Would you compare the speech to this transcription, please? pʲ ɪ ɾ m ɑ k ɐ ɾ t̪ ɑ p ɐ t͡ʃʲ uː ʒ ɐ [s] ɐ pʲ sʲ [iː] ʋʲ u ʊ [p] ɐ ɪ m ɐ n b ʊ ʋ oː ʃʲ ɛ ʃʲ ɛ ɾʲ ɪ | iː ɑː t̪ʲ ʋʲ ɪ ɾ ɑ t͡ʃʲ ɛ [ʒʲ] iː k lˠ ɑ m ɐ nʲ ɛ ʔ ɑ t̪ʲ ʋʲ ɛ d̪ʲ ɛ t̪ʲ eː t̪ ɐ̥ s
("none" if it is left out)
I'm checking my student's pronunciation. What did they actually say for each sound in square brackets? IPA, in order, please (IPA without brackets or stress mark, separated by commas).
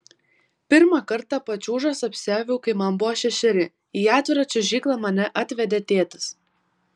s, æː, k, ʒʲ